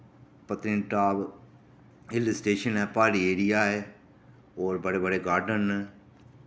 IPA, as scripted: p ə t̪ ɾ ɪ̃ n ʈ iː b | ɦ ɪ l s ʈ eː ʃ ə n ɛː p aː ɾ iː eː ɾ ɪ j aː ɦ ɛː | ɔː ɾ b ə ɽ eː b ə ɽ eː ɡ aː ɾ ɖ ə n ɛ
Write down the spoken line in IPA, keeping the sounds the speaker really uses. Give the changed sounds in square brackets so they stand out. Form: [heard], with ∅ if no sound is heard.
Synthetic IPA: p ə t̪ ɾ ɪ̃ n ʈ [aː] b | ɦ ɪ l s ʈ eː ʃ ə n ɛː p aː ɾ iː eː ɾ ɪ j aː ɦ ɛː | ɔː ɾ b ə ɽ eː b ə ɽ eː ɡ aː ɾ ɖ ə n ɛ